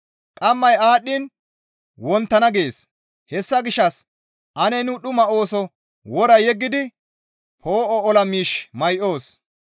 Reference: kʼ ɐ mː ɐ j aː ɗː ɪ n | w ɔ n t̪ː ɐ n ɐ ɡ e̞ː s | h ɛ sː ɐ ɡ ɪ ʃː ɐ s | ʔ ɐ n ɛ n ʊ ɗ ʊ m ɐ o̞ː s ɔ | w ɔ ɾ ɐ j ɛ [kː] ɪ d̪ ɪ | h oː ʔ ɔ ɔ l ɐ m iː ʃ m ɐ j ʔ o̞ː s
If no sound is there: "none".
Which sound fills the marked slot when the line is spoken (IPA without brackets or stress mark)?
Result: ɡː